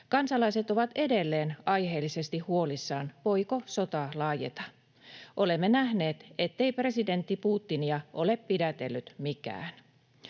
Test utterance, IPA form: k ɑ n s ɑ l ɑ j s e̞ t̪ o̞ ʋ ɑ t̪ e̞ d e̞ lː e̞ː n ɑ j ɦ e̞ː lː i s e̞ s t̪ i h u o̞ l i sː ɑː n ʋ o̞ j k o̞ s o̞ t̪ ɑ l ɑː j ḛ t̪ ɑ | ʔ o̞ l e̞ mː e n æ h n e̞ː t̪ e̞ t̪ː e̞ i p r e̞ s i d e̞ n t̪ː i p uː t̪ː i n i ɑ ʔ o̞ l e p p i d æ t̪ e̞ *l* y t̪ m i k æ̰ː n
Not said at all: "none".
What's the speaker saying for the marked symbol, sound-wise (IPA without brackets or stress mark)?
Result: lː